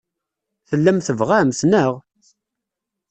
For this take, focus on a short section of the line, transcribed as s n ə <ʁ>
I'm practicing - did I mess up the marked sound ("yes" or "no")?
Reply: no